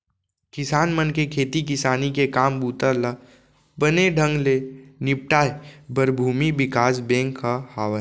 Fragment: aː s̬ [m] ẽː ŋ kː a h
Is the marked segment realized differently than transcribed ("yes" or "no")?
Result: yes